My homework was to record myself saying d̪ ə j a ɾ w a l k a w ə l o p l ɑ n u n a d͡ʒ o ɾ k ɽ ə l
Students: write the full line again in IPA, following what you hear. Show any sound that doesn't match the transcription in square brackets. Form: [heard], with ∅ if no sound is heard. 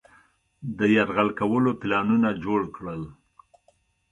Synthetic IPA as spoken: d̪ ə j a ɾ [ɣ] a l k a w ə l o p l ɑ n u n a d͡ʒ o [ɽ] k ɽ ə l